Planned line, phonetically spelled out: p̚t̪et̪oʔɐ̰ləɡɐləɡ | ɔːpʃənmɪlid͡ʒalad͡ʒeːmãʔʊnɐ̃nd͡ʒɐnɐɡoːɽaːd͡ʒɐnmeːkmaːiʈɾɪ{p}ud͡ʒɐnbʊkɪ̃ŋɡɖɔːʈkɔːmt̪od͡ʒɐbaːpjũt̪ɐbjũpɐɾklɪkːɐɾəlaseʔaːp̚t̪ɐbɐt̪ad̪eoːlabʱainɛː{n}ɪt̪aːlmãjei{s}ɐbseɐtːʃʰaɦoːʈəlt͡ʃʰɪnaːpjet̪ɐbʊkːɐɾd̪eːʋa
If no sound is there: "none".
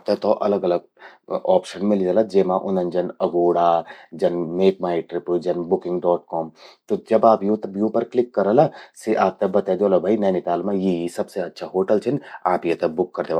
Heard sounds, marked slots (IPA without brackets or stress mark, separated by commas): p, n, s